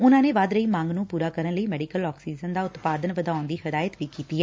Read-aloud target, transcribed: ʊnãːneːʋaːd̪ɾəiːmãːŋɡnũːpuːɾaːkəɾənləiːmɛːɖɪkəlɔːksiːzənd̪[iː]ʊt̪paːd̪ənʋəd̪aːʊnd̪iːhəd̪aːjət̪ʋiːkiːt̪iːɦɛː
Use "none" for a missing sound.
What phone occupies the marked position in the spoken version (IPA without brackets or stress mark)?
aː